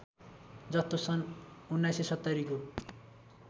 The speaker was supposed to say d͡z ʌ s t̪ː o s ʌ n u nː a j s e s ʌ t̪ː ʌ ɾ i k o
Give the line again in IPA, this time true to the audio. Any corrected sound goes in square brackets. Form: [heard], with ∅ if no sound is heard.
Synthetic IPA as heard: d͡z ʌ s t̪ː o s ʌ n u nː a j s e s ʌ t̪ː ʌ ɾ i k o